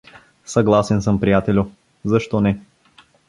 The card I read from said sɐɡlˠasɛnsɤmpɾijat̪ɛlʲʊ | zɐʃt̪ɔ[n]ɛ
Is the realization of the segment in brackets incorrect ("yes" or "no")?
no